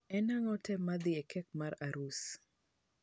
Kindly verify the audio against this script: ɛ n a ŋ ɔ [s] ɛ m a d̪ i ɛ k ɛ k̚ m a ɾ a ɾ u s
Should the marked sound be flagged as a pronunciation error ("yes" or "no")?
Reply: yes